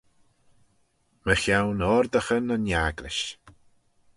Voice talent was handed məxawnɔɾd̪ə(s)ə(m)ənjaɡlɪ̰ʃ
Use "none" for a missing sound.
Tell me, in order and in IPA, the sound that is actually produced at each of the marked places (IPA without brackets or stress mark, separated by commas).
x, n